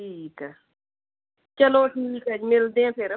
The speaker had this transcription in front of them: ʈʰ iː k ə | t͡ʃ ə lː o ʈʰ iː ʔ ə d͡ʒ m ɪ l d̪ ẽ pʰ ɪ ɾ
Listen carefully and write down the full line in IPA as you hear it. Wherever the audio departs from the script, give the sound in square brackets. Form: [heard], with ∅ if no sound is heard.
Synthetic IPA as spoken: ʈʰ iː k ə | t͡ʃ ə [l] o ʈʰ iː [k] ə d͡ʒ m ɪ l d̪ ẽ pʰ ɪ ɾ